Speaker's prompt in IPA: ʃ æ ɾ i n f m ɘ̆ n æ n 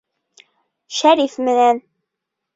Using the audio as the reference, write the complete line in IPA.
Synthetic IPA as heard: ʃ æ ɾ i f m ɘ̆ n æ n